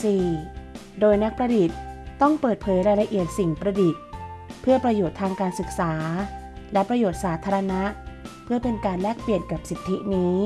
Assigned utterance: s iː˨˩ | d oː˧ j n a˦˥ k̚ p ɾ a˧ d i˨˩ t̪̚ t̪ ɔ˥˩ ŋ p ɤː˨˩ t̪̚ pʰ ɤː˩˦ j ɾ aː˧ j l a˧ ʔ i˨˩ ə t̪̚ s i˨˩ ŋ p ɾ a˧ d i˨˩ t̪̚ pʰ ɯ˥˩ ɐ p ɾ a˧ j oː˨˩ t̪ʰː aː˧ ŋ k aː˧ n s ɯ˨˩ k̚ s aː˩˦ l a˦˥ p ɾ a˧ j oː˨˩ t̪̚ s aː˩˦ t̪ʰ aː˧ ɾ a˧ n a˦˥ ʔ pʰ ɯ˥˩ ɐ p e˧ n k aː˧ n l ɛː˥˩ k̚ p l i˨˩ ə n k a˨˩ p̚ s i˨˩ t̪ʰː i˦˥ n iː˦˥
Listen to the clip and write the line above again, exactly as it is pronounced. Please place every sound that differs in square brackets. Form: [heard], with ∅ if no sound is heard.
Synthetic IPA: s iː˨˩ | d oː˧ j n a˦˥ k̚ p ɾ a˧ d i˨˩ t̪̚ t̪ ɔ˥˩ ŋ p ɤː˨˩ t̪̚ pʰ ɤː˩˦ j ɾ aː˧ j l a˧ ʔ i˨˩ ə t̪̚ s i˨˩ ŋ p ɾ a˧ d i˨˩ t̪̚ pʰ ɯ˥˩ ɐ p ɾ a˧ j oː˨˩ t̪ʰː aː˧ ŋ k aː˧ n s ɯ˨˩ k̚ s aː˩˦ l [ɛ˦˥] p ɾ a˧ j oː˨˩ t̪̚ s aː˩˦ t̪ʰ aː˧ ɾ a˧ n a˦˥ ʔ pʰ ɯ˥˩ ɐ p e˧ n k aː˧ n l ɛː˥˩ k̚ p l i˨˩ ə n k a˨˩ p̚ s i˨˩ t̪ʰː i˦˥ n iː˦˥